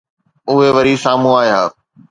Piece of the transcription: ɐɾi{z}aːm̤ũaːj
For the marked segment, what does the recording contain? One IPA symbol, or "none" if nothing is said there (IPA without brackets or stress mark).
s